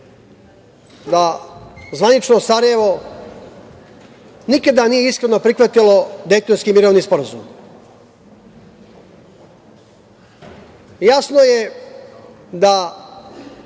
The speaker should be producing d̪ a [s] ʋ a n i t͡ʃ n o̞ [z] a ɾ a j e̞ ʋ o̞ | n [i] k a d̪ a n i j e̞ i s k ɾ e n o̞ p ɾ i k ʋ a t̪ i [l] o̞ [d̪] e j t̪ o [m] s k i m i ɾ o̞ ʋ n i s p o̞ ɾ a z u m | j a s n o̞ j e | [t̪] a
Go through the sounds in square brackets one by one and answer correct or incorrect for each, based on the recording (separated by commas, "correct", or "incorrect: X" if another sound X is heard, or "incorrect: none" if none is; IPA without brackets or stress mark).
incorrect: z, incorrect: s, correct, correct, correct, incorrect: n, incorrect: d̪